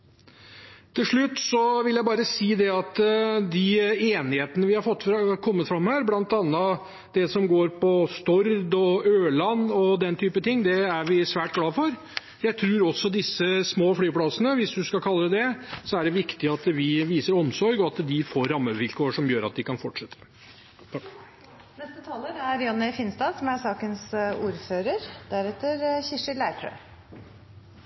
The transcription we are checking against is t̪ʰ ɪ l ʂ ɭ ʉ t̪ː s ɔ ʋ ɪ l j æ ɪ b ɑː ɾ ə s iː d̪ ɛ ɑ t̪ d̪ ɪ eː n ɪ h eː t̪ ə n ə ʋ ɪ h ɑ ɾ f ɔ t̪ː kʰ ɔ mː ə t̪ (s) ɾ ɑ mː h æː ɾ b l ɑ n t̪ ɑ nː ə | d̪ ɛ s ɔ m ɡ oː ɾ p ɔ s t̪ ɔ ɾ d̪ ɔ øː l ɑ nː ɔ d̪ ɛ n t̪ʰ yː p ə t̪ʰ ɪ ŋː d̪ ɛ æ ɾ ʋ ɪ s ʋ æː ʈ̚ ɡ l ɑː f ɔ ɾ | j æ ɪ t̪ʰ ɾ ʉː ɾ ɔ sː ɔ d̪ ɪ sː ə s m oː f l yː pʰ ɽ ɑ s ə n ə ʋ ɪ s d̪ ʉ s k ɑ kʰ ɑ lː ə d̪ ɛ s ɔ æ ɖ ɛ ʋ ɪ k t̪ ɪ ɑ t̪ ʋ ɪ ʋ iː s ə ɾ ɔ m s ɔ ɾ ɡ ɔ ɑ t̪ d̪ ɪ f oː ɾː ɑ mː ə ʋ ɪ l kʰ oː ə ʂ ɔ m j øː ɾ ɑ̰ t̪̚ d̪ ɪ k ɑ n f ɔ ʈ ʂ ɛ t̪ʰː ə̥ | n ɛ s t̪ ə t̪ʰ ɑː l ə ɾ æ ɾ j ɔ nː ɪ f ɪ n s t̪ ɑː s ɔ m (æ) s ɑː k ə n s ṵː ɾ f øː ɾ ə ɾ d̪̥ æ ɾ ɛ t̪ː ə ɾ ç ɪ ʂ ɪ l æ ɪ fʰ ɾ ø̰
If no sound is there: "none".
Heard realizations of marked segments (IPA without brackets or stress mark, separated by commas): f, æ